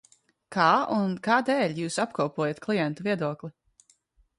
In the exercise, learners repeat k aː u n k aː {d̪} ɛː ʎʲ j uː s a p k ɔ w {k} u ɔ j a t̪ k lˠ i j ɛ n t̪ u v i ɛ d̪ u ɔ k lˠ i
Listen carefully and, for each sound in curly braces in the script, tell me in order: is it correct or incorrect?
correct, incorrect

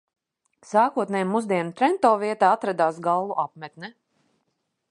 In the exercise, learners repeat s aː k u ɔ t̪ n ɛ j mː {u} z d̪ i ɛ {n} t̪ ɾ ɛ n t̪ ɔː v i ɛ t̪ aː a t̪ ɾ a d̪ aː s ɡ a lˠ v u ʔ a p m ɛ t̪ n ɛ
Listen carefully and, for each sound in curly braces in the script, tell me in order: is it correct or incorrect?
correct, correct

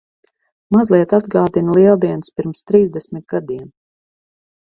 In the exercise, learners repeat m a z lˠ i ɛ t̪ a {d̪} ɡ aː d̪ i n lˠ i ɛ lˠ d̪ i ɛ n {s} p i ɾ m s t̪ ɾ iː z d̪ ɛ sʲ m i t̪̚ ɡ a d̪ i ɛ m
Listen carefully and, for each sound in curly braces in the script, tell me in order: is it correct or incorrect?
correct, correct

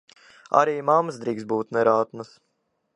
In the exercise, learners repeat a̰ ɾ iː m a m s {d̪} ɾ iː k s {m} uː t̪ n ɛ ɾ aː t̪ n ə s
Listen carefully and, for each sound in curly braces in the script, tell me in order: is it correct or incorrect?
correct, incorrect

